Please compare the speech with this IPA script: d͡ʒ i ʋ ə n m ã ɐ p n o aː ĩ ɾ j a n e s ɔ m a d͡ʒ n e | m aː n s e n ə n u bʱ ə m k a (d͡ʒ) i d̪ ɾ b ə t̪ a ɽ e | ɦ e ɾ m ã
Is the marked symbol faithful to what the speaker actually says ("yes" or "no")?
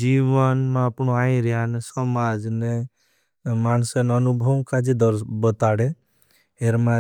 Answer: yes